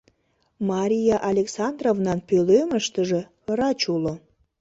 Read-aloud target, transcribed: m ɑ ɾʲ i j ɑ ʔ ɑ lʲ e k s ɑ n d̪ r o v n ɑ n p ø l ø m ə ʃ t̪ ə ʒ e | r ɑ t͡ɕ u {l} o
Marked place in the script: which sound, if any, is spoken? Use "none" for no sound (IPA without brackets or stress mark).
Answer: l